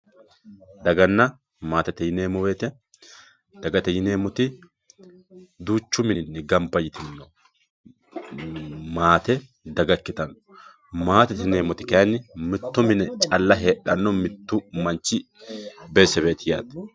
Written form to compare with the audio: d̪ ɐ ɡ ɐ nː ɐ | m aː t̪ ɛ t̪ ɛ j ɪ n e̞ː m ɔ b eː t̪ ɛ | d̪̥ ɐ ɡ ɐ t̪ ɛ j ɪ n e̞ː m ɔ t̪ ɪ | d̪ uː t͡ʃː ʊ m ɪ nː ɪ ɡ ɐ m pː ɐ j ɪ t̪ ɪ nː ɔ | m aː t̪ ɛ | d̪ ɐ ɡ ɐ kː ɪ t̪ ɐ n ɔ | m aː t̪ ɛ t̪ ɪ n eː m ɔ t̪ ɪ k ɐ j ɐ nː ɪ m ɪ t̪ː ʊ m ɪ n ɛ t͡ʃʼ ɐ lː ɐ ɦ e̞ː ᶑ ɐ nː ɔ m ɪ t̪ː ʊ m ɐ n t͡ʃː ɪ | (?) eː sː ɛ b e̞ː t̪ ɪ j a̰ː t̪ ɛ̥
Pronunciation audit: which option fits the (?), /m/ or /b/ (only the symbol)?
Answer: b